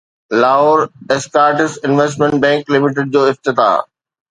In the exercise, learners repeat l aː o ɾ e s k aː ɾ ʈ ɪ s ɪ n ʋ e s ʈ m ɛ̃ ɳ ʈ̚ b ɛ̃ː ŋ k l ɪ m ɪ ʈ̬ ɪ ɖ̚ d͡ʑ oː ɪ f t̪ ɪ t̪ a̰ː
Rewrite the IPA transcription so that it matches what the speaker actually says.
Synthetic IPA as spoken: l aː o ɾ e s k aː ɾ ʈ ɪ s ɪ n ʋ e s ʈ m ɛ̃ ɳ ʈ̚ b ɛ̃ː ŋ k l ɪ m ɪ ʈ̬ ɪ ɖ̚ d͡ʑ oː ɪ f t̪ ɪ t̪ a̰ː